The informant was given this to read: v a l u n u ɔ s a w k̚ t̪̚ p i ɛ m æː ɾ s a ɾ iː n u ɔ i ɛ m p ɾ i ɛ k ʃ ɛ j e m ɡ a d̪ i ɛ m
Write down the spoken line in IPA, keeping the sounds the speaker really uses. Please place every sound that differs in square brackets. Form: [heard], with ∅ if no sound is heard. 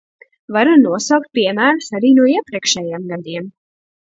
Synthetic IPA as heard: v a [ɾ] u n u ɔ s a w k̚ t̪̚ p i ɛ m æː ɾ s a ɾ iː n u ɔ i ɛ [∅] p ɾ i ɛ k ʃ ɛ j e m ɡ a d̪ i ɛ m